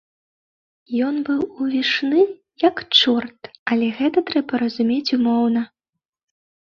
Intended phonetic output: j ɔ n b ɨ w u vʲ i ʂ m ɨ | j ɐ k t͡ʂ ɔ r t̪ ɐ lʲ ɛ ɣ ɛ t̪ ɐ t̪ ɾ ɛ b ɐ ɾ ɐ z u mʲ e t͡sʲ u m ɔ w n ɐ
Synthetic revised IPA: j ɔ n b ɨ w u vʲ i ʂ n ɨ | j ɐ k t͡ʂ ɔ r t̪ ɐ lʲ ɛ ɣ ɛ t̪ ɐ t̪ ɾ ɛ b ɐ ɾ ɐ z u mʲ e t͡sʲ u m ɔ w n ɐ